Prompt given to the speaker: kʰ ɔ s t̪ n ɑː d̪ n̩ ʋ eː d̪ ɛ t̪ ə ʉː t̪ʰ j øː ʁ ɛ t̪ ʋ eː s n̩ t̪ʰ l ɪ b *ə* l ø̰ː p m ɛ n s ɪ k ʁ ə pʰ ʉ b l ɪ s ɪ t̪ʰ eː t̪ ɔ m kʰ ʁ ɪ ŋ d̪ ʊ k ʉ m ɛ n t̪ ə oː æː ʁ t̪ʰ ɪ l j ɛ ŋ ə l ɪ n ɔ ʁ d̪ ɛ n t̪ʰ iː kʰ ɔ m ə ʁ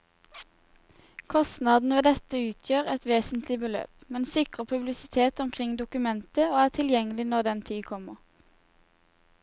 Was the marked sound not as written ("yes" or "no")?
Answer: no